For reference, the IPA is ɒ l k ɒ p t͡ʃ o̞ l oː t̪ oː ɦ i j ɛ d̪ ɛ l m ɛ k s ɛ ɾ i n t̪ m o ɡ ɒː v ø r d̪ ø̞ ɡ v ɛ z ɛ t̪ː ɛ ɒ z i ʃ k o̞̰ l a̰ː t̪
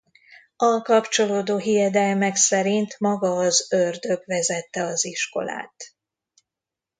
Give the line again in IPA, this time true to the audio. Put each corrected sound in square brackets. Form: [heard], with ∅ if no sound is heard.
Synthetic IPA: ɒ l k ɒ p t͡ʃ o̞ l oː [d̪] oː ɦ i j ɛ d̪ ɛ l m ɛ k s ɛ ɾ i n t̪ m [ɒ] ɡ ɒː [z] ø r d̪ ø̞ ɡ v ɛ z ɛ t̪ː ɛ ɒ z i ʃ k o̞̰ l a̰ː t̪

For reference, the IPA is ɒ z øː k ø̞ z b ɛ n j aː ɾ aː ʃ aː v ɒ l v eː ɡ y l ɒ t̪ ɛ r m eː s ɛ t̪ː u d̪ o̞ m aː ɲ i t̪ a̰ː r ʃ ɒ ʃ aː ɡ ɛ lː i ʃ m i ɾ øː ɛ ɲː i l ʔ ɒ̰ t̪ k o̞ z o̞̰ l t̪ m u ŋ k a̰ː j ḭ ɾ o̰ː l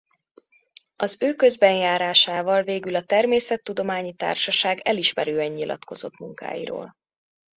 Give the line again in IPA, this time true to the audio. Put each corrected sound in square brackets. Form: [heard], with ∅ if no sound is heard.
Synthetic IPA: ɒ z øː k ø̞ z b ɛ n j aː ɾ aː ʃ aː v ɒ l v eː ɡ y l ɒ t̪ ɛ r m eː s ɛ t̪ː u d̪ o̞ m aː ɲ i t̪ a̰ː r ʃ ɒ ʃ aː ɡ ɛ [l] i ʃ m [ɛ] ɾ øː ɛ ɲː i l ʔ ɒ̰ t̪ k o̞ z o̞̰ [∅] t̪ m u ŋ k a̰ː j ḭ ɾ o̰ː l

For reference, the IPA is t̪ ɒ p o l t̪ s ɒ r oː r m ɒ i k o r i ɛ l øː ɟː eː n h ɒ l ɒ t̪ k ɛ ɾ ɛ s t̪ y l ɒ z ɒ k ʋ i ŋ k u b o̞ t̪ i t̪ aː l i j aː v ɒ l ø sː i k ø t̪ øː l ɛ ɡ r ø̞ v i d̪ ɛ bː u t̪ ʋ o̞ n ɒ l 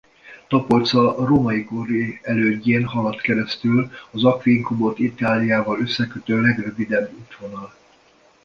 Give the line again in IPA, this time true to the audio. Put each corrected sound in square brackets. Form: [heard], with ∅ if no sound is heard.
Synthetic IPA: t̪ ɒ p o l t̪ s ɒ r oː [∅] m ɒ i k o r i ɛ l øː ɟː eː n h ɒ l ɒ t̪ k ɛ ɾ ɛ s t̪ y l ɒ z ɒ k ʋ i ŋ k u b o̞ t̪ i t̪ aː l i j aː v ɒ l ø sː [ɛ] k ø t̪ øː l ɛ ɡ r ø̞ v i d̪ ɛ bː u t̪ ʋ o̞ n ɒ l

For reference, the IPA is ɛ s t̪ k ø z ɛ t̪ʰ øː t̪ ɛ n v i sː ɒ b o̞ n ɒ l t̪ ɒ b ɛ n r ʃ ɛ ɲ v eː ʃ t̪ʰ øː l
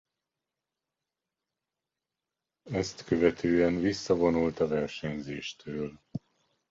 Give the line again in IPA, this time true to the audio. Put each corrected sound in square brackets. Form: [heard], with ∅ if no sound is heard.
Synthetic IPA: ɛ s t̪ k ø [v] ɛ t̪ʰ øː [∅] ɛ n v i sː ɒ [v] o̞ n [u] l t̪ ɒ [v] ɛ [∅] r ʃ ɛ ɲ [z] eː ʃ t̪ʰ øː l

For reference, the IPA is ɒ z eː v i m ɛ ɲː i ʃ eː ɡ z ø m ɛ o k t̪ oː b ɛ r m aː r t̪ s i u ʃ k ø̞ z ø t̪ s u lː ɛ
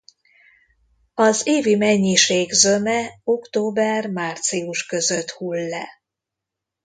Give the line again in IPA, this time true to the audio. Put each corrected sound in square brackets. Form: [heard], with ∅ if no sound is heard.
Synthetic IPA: ɒ z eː v i m ɛ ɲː i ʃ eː ɡ z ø m ɛ o k t̪ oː b ɛ r m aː r t̪ s i u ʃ k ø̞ z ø t̪ [h] u lː ɛ

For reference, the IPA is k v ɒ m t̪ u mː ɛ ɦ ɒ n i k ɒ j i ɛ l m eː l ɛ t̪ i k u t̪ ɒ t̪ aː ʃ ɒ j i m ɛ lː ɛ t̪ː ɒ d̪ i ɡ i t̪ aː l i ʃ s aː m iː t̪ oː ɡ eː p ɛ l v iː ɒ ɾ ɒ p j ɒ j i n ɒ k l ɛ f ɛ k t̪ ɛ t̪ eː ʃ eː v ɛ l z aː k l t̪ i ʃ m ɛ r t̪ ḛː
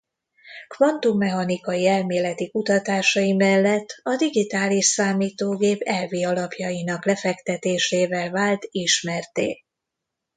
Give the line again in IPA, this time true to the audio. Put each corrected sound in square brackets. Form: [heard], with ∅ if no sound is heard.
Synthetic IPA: k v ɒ [n] t̪ u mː ɛ ɦ ɒ n i k ɒ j i ɛ l m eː l ɛ t̪ i k u t̪ ɒ t̪ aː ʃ ɒ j i m ɛ lː ɛ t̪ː ɒ d̪ i ɡ i t̪ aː l i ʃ s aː m iː t̪ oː ɡ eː p ɛ l v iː ɒ [l] ɒ p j ɒ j i n ɒ k l ɛ f ɛ k t̪ ɛ t̪ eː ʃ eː v ɛ l [v] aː [∅] l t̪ i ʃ m ɛ r t̪ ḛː

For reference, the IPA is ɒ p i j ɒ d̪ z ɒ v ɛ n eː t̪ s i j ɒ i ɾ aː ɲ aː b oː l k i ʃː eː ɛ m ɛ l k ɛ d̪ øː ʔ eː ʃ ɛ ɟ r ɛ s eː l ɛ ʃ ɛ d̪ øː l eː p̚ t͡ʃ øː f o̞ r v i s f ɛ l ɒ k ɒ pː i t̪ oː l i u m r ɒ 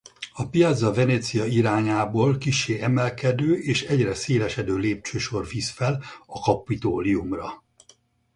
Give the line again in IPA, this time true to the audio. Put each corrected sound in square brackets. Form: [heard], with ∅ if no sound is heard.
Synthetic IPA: ɒ p i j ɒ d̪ z ɒ v ɛ n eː t̪ s i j ɒ i ɾ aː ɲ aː b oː l k i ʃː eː ɛ m ɛ l k ɛ d̪ øː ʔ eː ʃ ɛ ɟ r ɛ s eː l ɛ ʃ ɛ d̪ øː l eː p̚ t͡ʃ øː [ʃ] o̞ r v i s f ɛ l ɒ k ɒ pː i t̪ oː l i u m r ɒ

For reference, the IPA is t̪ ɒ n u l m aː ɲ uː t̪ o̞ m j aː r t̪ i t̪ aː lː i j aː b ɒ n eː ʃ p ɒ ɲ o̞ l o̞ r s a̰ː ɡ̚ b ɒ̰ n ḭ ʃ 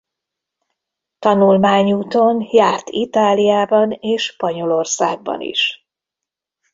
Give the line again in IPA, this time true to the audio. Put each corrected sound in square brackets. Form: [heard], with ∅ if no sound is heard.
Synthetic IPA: t̪ ɒ n u l m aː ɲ uː t̪ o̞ [n] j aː r t̪ i t̪ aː [l] i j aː b ɒ n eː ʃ p ɒ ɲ o̞ l o̞ r s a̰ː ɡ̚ b ɒ̰ n ḭ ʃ

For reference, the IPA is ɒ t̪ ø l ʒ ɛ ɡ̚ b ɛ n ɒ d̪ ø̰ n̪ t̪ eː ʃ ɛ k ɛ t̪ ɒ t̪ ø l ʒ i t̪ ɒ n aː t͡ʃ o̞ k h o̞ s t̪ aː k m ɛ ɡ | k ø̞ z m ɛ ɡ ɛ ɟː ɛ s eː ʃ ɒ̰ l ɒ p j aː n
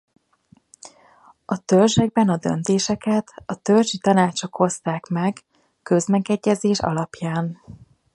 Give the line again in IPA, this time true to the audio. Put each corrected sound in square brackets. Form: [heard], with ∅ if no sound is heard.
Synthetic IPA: ɒ t̪ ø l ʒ ɛ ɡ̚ b ɛ n ɒ d̪ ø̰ n̪ t̪ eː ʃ ɛ k ɛ t̪ ɒ t̪ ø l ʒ i t̪ ɒ n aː t͡ʃ o̞ k h o̞ s t̪ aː k m ɛ ɡ | k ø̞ z m ɛ ɡ ɛ ɟː ɛ [z] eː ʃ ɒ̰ l ɒ p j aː n

